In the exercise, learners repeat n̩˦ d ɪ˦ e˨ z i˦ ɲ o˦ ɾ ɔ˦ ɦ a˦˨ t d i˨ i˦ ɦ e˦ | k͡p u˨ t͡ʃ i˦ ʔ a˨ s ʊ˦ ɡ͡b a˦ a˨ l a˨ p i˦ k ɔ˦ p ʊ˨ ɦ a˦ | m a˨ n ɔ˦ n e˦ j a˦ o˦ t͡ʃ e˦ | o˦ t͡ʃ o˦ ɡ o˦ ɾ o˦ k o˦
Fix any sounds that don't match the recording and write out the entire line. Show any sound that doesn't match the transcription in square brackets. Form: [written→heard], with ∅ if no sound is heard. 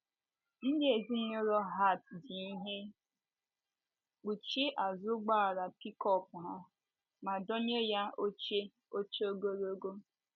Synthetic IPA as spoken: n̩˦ d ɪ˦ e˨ z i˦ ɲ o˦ ɾ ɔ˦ ɦ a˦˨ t d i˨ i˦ ɦ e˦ | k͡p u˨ t͡ʃ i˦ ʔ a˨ [s→z] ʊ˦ ɡ͡b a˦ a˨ [l→ɾ] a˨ p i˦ k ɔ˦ p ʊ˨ ɦ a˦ | m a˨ [n→d] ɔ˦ [n→ɲ] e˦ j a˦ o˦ t͡ʃ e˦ | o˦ t͡ʃ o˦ ɡ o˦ ɾ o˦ [k→ɡ] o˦

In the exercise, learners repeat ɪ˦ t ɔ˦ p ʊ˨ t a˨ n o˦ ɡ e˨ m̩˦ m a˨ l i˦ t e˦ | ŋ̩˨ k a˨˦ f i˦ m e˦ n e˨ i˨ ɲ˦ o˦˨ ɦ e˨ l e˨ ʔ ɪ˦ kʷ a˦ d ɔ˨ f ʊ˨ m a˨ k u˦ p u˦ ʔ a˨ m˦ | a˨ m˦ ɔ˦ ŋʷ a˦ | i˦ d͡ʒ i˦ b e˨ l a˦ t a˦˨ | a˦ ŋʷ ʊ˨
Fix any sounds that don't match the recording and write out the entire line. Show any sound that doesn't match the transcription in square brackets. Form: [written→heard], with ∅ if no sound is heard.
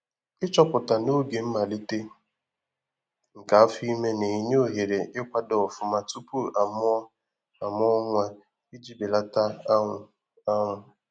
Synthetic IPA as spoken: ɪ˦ [t→t͡ʃ] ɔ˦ p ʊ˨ t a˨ n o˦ ɡ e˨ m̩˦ m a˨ l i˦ t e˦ | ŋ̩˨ k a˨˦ f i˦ m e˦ n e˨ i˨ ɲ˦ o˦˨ ɦ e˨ [l→ɾ] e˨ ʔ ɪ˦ kʷ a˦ d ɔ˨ f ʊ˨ m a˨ [k→t] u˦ p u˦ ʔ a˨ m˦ | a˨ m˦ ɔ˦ ŋʷ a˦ | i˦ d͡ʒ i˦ b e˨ l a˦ t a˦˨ | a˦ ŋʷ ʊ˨

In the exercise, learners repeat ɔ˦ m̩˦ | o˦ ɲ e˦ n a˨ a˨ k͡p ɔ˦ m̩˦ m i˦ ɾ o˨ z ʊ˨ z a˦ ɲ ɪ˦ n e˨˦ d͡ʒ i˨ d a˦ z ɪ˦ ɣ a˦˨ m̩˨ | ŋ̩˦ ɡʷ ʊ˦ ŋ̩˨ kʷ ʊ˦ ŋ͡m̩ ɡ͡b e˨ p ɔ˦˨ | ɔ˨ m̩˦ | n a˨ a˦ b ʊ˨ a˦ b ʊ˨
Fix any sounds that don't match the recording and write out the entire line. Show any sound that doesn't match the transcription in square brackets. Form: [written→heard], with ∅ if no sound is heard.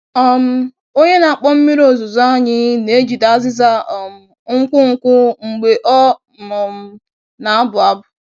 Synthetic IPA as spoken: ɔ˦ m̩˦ | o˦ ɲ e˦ n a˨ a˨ k͡p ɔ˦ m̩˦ m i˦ ɾ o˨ z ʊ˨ z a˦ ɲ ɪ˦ n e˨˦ d͡ʒ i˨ d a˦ z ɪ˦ [ɣ→z] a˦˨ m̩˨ | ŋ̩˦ [ɡʷ→kʷ] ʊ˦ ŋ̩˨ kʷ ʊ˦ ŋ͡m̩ ɡ͡b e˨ [p→ʔ] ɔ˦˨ | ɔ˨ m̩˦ | n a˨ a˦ b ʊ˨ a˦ b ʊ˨

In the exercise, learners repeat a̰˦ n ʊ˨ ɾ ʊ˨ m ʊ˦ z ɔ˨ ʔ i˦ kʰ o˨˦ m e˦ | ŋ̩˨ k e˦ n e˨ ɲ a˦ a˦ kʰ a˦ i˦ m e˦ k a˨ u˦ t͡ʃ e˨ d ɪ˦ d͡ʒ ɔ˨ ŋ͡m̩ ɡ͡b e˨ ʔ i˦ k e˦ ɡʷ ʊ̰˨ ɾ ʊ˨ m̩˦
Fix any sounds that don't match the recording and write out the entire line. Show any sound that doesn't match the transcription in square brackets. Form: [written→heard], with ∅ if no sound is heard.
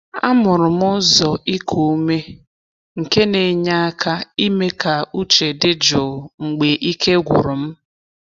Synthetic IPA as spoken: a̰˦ [n→m] ʊ˨ ɾ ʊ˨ m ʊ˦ z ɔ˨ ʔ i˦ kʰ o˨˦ m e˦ | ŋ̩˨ k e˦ n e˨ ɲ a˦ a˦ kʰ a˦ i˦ m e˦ k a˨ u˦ t͡ʃ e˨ d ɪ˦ d͡ʒ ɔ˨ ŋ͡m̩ ɡ͡b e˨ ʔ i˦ k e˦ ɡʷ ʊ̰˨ ɾ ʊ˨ m̩˦

